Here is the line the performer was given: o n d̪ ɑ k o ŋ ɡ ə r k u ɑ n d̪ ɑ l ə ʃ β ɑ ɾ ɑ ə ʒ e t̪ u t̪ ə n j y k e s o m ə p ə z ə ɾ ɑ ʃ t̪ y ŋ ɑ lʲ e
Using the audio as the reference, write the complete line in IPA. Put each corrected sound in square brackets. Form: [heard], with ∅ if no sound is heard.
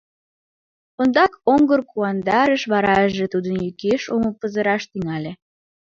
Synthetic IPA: o n d̪ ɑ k o ŋ ɡ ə r k u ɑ n d̪ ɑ [ɾ] ə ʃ β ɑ ɾ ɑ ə ʒ e t̪ u [d̪] ə n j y k e [ʃ] o m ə p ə z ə ɾ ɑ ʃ t̪ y ŋ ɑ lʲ e